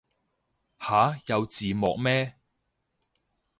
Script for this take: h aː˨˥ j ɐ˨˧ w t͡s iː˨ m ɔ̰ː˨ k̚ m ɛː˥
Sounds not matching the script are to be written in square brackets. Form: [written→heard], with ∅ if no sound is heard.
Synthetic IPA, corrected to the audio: h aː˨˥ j ɐ˨˧ w t͡s iː˨ m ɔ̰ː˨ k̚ m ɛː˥